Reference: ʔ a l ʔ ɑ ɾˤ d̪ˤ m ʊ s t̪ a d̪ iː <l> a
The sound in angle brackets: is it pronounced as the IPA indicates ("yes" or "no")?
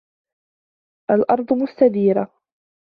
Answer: no